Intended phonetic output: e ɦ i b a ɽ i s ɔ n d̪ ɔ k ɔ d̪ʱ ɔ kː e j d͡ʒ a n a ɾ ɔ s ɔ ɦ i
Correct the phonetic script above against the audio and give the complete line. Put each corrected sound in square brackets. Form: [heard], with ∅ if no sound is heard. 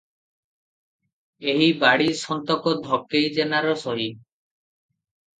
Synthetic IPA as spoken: e ɦ i b a ɽ i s ɔ n [t̪] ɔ k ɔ d̪ʱ ɔ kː e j d͡ʒ [e] n a ɾ ɔ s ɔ ɦ i